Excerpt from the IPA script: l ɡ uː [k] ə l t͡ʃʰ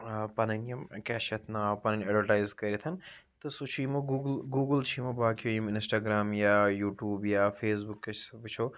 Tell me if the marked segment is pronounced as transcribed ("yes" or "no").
no